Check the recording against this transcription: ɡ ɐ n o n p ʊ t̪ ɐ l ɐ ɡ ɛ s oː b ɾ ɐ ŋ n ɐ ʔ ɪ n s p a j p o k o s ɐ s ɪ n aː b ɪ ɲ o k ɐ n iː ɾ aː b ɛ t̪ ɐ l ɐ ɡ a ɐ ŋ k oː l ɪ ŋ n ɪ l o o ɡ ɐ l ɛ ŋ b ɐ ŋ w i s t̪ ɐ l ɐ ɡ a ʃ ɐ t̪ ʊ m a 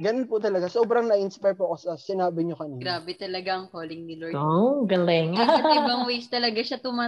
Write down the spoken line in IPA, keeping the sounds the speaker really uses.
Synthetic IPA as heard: ɡ ɐ n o n p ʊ t̪ ɐ l ɐ ɡ a s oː b ɾ ɐ ŋ n ɐ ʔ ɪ n s p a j p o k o s ɐ s ɪ n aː b ɪ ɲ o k ɐ n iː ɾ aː b ɛ t̪ ɐ l ɐ ɡ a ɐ ŋ k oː l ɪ ŋ n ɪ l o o ɡ ɐ l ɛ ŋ b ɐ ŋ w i s t̪ ɐ l ɐ ɡ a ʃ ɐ t̪ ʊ m a